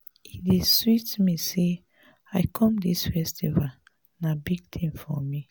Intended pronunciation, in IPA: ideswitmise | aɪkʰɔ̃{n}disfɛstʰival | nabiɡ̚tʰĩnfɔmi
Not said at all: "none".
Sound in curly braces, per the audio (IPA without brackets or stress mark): m